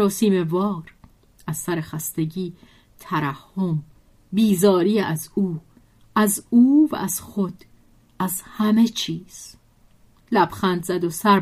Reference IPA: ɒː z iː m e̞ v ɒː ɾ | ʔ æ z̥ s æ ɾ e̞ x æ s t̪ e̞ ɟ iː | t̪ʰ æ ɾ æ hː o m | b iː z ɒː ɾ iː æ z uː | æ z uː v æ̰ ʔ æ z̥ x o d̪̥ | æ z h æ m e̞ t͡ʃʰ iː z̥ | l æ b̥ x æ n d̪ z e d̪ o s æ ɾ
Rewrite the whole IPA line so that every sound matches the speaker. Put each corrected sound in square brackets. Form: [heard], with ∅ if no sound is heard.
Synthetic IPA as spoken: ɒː [s] iː m e̞ v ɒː ɾ | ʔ æ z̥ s æ ɾ e̞ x æ s t̪ e̞ ɟ iː | t̪ʰ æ ɾ æ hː o m | b iː z ɒː ɾ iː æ z uː | æ z uː v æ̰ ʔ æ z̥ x o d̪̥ | æ z h æ m e̞ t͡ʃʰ iː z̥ | l æ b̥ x æ n d̪ z [æ] d̪ o s æ ɾ